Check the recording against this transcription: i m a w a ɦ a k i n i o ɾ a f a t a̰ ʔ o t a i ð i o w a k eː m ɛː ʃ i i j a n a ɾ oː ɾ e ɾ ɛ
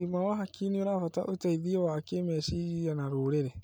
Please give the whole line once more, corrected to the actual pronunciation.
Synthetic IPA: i m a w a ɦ a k i n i o ɾ a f a t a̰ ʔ o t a i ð i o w a k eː m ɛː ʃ i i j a n a ɾ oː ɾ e ɾ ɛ